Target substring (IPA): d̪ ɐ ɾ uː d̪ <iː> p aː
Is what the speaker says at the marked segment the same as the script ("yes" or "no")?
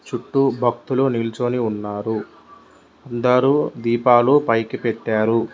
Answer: yes